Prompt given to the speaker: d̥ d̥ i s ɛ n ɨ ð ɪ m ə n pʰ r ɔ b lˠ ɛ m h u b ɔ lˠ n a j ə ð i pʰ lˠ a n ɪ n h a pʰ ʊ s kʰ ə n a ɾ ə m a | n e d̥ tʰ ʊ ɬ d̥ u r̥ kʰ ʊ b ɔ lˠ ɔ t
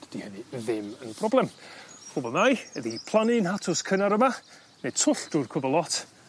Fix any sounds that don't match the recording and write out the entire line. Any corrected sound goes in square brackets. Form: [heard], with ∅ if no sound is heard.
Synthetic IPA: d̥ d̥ i [h] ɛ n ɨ ð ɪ m ə n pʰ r ɔ b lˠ ɛ m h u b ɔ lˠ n a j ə ð i pʰ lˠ a n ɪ n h a [tʰ] ʊ s kʰ ə n a ɾ ə m a | n e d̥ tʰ ʊ ɬ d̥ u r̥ kʰ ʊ b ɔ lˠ ɔ t